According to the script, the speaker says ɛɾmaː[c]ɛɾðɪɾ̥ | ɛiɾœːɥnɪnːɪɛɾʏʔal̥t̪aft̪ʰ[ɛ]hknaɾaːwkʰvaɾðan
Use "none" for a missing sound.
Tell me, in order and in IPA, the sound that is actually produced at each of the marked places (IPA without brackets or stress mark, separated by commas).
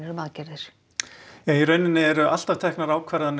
c, ɛ